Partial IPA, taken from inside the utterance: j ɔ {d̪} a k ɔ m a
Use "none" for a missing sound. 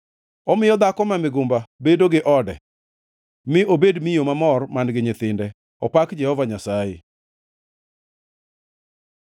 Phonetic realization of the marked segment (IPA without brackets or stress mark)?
d̪